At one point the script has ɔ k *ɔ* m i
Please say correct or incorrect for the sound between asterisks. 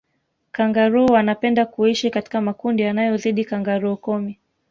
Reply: correct